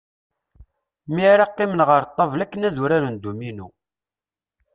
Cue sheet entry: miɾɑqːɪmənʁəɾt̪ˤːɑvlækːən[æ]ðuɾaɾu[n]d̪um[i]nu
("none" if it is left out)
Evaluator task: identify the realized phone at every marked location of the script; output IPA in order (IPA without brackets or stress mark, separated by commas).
æ, n, i